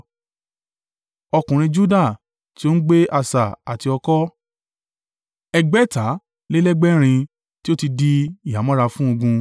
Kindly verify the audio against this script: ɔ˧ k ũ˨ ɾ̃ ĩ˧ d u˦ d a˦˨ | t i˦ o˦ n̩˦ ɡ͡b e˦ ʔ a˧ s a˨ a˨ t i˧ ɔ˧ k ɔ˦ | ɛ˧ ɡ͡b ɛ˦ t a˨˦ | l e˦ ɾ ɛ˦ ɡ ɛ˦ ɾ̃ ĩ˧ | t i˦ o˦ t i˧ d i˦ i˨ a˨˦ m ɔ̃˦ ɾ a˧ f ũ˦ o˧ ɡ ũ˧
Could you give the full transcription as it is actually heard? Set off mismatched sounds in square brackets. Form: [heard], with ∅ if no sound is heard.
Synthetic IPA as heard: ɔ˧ k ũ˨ ɾ̃ ĩ˧ [d͡ʒ] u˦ d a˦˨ | t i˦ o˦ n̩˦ ɡ͡b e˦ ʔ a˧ s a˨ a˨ t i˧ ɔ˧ k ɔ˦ | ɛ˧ ɡ͡b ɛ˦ t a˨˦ | l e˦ [l] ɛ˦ [ɡ͡b] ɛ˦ ɾ̃ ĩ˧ | t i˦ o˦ t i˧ d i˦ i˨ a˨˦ m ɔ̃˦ ɾ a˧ f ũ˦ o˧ ɡ ũ˧